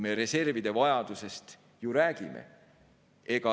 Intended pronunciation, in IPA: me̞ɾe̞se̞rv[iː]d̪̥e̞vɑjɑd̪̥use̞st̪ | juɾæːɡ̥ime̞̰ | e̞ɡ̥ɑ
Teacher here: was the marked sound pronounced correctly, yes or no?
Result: no